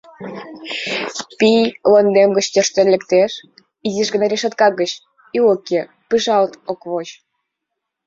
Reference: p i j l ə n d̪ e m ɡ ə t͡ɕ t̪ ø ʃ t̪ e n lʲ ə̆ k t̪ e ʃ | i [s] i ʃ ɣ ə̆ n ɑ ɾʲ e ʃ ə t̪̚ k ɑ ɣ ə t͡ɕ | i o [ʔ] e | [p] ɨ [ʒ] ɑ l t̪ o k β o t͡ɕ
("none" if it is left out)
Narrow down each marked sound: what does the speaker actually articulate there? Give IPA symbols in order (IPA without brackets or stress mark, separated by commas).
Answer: z, k, p, ʒ